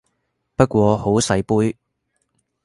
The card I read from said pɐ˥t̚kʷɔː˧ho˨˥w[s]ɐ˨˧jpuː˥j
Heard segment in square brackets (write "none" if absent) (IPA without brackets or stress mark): s